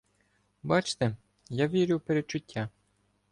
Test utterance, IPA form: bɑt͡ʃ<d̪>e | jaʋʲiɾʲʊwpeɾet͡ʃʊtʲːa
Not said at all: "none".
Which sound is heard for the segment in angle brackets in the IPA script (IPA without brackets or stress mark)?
t̪